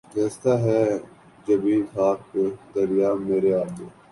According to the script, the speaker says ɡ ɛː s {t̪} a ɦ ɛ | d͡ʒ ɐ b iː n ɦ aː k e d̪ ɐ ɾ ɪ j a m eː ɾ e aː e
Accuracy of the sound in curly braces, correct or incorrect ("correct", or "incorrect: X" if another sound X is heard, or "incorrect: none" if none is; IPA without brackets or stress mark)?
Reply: correct